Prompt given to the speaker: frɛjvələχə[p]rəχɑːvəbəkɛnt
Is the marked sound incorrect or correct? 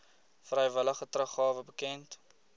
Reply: incorrect